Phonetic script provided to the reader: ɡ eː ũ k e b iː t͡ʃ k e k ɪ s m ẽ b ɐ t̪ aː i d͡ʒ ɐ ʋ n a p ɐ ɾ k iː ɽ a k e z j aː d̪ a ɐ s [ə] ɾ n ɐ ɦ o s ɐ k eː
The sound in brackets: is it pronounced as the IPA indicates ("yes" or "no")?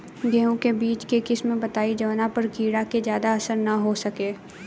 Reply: yes